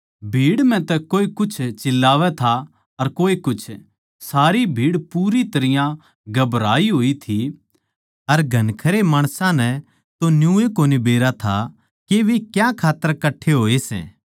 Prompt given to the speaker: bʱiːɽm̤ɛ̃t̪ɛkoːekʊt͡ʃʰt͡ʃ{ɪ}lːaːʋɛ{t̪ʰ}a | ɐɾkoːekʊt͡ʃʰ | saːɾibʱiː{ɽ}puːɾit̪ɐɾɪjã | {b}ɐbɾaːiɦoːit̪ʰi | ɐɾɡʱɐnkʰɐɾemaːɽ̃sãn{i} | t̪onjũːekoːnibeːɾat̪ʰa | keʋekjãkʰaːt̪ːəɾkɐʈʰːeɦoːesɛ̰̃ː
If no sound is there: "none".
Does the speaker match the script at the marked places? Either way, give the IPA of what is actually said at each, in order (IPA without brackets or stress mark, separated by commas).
ɪ, t̪ʰ, ɽ, ɡ, ɛ